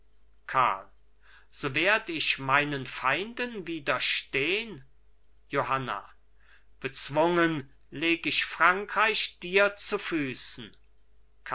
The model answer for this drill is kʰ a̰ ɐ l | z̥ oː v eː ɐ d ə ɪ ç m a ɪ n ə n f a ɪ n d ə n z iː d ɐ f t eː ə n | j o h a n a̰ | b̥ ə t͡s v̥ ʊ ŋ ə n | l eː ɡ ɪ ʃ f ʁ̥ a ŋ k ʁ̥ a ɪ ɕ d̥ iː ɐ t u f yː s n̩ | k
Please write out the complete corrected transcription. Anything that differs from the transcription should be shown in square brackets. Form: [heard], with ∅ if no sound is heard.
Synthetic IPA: kʰ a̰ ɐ l | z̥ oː v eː ɐ d ə ɪ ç m a ɪ n ə n f a ɪ n d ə n [v] iː d ɐ [ʃ] t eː ə n | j o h a n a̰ | b̥ ə t͡s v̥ ʊ ŋ ə n | l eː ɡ ɪ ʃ f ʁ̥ a ŋ k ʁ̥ a ɪ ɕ d̥ iː ɐ [t͡s] u f yː s n̩ | k